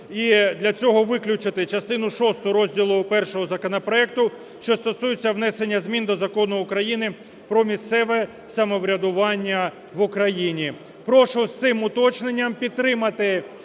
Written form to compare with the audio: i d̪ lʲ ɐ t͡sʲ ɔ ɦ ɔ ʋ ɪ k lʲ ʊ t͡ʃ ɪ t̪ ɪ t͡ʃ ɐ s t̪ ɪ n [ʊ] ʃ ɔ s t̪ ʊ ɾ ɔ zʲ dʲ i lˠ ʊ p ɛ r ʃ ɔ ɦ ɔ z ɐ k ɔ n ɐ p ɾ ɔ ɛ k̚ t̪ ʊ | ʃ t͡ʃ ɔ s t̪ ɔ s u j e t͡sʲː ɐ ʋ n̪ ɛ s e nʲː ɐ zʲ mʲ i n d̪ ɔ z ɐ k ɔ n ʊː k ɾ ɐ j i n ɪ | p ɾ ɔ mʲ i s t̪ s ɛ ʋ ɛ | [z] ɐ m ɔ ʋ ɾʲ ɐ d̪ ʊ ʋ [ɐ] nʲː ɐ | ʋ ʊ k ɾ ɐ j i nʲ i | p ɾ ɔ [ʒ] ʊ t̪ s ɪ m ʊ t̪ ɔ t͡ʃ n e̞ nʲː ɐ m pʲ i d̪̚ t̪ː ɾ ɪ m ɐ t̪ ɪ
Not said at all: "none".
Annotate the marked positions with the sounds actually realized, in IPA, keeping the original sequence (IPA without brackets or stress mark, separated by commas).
ʊ, s, ɑ, ʃ